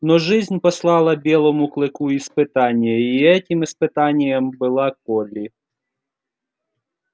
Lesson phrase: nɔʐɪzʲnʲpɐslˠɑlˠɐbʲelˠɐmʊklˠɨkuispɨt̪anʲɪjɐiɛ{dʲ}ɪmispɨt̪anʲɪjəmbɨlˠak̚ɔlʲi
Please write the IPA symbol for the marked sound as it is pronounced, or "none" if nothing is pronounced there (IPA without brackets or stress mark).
tʲ